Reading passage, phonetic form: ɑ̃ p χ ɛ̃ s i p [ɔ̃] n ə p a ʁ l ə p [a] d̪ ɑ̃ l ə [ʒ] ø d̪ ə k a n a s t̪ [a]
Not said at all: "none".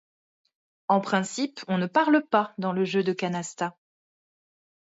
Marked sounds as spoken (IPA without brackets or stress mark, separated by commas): ɔ̃, a, ʒ, a